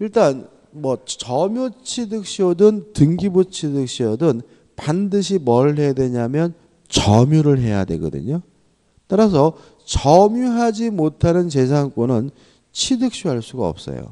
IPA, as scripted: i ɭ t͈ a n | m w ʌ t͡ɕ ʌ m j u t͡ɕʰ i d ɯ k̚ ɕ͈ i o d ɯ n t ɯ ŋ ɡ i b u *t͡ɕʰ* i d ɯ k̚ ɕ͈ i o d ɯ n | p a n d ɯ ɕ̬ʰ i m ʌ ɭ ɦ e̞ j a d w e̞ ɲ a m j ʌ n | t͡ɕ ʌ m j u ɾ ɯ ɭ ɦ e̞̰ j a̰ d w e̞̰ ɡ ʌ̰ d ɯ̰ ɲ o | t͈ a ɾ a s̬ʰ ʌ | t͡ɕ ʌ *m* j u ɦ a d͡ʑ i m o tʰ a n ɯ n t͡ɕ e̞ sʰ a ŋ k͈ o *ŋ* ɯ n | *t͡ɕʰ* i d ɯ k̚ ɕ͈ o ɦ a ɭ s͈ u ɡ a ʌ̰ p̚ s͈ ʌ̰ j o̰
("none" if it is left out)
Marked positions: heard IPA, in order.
t͡ɕʰ, m, n, t͡ɕʰ

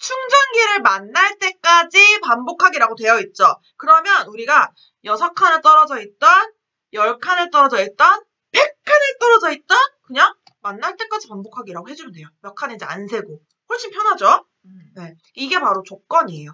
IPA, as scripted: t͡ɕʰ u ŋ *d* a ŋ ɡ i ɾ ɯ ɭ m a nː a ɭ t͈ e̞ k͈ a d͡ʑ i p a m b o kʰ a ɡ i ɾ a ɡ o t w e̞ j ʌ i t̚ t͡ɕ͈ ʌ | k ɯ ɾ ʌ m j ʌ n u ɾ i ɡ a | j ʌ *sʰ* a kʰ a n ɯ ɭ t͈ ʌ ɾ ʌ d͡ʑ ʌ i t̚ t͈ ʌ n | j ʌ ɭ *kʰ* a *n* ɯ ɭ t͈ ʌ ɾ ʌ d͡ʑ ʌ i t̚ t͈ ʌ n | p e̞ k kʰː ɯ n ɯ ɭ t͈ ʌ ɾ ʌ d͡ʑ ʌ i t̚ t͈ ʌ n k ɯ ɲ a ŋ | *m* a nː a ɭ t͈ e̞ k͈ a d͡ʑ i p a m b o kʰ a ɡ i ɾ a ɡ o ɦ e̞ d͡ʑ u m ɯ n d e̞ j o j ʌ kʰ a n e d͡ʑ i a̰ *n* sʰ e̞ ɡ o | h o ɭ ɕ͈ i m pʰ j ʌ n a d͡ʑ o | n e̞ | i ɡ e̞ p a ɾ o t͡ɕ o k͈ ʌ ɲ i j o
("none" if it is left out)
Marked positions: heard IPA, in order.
d͡ʑ, sʰ, kʰ, n, m, n

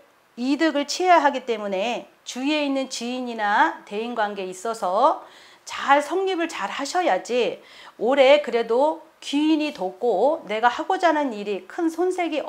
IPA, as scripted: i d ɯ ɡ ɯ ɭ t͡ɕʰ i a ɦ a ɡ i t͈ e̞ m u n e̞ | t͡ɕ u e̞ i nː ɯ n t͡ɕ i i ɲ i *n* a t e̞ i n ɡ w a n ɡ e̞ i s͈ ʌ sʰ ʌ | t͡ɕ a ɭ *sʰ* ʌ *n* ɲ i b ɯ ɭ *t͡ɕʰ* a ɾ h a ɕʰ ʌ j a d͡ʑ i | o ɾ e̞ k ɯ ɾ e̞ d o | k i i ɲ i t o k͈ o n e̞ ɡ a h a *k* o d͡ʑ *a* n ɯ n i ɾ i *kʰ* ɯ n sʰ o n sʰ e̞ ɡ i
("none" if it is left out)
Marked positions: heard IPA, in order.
n, sʰ, ŋ, t͡ɕ, ɡ, a, kʰ

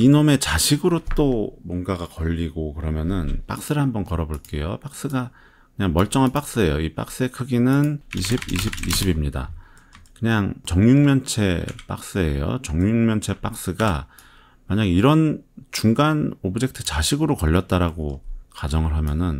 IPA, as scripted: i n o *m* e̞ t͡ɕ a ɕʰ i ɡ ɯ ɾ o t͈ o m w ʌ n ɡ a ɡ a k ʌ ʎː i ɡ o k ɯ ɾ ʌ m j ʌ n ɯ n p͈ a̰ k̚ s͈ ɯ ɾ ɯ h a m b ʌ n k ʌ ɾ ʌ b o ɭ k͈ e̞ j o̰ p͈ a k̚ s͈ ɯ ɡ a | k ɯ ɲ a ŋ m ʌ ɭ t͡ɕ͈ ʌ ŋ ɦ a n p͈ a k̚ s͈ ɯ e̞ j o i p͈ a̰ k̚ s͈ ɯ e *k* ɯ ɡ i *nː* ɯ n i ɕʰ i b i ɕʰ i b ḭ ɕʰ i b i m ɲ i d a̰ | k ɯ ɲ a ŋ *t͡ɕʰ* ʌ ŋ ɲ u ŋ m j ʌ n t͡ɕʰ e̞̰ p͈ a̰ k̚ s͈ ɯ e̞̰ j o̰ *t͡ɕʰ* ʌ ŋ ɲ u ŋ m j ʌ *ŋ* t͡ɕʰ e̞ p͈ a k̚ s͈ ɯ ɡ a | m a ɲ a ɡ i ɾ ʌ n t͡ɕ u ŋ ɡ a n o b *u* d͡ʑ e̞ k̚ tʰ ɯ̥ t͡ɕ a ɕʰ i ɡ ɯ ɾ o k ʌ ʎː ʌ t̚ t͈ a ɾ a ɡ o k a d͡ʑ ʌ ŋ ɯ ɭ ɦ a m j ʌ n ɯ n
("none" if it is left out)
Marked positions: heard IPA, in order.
m, kʰ, n, t͡ɕ, t͡ɕ, n, ɯ

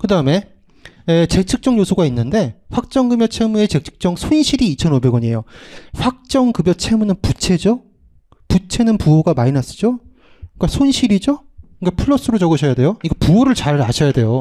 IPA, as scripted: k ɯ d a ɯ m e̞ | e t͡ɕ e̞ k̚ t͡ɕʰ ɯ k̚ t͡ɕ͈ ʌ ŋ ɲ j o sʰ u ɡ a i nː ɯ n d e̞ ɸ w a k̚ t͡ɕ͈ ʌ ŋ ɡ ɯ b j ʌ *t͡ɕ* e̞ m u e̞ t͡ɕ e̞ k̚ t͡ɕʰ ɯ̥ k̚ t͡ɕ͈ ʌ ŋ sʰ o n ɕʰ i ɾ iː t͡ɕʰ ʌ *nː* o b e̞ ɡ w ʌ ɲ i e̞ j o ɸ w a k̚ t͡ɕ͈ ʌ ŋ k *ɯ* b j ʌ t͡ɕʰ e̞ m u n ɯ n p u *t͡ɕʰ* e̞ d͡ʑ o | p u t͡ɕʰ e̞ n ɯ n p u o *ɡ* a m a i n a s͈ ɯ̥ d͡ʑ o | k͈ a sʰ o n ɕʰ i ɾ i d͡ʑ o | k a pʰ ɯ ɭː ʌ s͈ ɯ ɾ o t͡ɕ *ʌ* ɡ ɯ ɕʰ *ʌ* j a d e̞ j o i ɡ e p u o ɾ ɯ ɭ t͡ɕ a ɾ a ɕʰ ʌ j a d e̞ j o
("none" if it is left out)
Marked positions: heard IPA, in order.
t͡ɕʰ, n, ɯ, t͡ɕʰ, ɡ, ʌ, ʌ

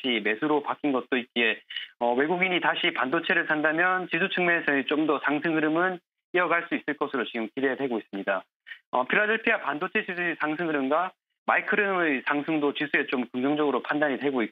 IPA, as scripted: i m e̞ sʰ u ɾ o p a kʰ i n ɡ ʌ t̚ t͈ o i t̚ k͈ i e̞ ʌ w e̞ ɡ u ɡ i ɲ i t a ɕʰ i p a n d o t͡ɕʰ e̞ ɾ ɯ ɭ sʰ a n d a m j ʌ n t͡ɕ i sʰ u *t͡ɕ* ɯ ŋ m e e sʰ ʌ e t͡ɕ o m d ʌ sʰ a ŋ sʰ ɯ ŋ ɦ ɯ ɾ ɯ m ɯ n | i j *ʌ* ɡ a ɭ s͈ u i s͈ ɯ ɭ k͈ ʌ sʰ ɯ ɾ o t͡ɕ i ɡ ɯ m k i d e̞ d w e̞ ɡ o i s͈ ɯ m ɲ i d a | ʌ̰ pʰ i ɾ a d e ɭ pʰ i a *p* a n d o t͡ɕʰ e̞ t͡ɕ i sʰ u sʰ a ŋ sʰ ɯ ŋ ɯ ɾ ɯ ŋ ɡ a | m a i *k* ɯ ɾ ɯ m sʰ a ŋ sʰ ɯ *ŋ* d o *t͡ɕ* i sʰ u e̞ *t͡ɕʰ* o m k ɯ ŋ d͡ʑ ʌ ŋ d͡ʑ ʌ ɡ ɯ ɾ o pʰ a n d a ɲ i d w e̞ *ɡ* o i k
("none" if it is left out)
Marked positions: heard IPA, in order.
t͡ɕʰ, ʌ, p, kʰ, ŋ, t͡ɕ, t͡ɕ, ɡ

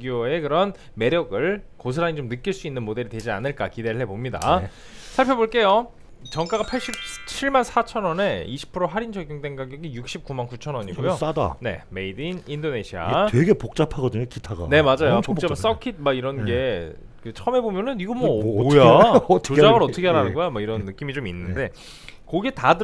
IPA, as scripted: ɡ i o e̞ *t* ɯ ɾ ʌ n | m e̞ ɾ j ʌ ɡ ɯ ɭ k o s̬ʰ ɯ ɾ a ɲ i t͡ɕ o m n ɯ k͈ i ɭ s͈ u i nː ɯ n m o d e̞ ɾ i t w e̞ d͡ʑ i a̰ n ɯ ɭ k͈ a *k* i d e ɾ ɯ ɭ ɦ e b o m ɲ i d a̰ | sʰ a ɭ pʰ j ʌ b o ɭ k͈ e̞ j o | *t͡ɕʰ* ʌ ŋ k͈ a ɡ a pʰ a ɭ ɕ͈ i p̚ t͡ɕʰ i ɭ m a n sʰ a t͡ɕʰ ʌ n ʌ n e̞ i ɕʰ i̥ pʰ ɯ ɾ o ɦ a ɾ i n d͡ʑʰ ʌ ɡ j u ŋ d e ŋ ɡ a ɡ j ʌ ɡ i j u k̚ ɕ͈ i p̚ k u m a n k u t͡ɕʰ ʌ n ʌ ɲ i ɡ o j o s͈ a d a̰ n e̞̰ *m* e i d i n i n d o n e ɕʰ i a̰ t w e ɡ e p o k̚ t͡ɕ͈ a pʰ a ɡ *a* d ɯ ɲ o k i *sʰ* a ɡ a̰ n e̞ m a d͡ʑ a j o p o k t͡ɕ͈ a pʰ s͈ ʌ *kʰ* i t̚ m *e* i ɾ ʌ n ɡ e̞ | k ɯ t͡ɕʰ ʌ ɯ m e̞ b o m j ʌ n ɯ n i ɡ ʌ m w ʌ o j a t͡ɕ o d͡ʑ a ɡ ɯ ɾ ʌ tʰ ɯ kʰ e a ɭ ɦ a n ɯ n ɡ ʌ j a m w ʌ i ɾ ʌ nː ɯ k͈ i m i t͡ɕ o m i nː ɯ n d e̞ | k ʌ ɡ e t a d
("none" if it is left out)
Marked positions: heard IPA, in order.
k, k, t͡ɕ, m, ʌ, tʰ, kʰ, a

